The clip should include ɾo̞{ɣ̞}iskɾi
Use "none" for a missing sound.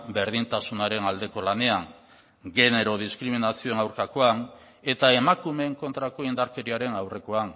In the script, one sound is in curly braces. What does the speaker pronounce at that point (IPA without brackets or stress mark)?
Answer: ð̞